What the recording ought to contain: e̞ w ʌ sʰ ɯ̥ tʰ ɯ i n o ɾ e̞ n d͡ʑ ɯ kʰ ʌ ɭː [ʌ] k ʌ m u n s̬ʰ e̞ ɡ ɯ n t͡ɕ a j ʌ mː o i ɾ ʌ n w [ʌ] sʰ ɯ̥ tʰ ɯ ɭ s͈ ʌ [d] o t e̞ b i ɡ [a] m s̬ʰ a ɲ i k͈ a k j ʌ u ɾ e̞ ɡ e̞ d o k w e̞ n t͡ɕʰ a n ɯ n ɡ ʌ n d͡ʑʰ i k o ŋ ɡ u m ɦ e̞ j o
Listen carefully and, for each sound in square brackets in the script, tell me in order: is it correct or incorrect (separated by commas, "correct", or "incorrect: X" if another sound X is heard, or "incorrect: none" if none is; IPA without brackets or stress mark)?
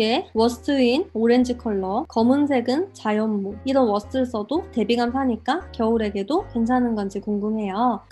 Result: correct, correct, correct, correct